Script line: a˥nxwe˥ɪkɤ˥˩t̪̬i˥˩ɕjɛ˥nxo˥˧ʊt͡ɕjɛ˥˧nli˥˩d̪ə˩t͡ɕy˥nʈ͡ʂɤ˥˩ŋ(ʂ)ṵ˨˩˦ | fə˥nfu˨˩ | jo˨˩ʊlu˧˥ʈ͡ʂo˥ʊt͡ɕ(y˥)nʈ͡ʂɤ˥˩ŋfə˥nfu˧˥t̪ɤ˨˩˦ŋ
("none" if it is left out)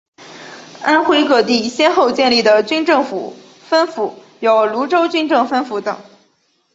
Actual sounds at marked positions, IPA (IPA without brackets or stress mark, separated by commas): f, y˥